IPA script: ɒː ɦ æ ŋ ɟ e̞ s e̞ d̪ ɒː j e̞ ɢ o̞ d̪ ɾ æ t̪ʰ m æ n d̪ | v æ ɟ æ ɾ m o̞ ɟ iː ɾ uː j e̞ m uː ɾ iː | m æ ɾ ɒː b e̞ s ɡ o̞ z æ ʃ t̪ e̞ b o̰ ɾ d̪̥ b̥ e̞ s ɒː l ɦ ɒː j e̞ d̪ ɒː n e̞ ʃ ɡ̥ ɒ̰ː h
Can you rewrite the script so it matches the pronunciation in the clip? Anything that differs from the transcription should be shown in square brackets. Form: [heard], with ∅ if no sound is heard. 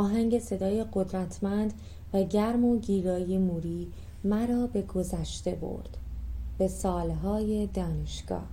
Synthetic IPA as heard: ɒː ɦ æ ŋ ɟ e̞ s e̞ d̪ ɒː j e̞ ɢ o̞ d̪ ɾ æ t̪ʰ m æ n d̪ | v æ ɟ æ ɾ m o̞ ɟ iː ɾ [ɒː] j e̞ m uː ɾ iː | m æ ɾ ɒː b e̞ [∅] ɡ o̞ z æ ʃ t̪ e̞ b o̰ ɾ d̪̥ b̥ e̞ s ɒː l ɦ ɒː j e̞ d̪ ɒː n e̞ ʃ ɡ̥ ɒ̰ː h